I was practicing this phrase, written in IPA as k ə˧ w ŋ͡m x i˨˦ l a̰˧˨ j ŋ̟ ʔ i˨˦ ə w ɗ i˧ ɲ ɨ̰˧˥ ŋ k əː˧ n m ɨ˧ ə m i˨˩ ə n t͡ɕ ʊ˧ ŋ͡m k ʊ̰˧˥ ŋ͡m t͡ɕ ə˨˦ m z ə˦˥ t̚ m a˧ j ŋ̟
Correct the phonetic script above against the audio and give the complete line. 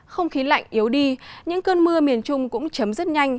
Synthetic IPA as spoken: x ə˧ w ŋ͡m x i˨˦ l a̰˧˨ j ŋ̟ ʔ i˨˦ ə w ɗ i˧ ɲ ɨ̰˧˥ ŋ k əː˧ n m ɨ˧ ə m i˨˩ ə n t͡ɕ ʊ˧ ŋ͡m k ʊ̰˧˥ ŋ͡m t͡ɕ ə˨˦ m z ə˦˥ t̚ ɲ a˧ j ŋ̟